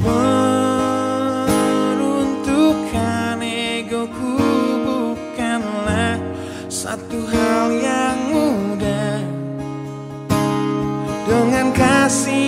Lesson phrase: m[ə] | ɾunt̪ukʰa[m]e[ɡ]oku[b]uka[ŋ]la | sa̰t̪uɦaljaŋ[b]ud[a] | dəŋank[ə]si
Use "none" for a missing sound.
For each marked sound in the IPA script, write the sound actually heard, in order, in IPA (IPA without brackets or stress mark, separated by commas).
ə, n, ɡ, b, n, m, a, a